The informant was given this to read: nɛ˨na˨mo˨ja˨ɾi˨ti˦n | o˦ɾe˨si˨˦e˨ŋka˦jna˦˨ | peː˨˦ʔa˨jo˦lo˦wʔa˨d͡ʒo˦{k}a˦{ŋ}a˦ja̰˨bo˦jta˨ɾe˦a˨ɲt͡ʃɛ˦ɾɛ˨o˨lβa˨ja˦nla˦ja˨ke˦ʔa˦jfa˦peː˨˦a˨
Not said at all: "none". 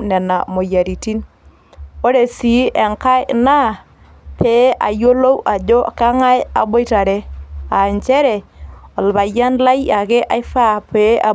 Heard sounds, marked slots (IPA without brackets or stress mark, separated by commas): k, ŋ